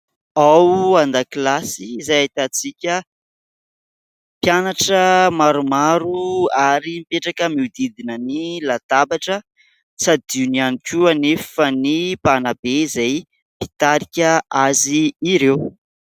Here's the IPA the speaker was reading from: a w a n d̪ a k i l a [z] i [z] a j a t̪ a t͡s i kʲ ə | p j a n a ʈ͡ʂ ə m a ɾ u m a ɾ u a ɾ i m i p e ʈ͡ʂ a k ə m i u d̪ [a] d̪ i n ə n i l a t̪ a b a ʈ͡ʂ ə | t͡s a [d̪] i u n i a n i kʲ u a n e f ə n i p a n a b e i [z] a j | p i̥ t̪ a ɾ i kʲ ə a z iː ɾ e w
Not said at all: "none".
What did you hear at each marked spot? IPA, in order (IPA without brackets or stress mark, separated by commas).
s, z, i, d̪, z